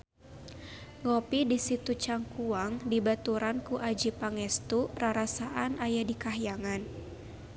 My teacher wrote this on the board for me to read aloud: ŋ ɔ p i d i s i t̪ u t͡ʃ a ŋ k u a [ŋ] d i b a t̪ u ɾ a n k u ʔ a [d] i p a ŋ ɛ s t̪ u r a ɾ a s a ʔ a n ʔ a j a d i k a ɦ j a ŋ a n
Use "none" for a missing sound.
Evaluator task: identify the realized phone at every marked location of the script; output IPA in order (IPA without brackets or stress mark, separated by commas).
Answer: ŋ, d͡ʒ